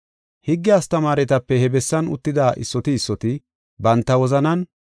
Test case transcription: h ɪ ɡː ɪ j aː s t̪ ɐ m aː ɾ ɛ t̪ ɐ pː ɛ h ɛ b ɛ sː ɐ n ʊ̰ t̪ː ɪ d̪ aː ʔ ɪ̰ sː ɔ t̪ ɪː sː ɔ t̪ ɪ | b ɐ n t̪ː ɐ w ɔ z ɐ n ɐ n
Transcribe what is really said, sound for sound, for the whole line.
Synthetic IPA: h ɪ ɡː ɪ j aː s t̪ ɐ m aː ɾ ɛ t̪ ɐ pː ɛ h ɛ b ɛ sː ɐ n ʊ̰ t̪ː ɪ d̪ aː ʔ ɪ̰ sː ɔ t̪ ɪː sː ɔ t̪ ɪ | b ɐ n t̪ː ɐ w ɔ z ɐ n ɐ n